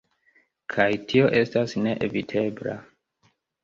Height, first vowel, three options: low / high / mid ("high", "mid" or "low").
low